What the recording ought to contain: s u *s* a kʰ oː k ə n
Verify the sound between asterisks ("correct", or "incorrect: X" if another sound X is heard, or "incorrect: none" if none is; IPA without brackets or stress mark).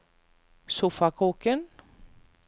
incorrect: f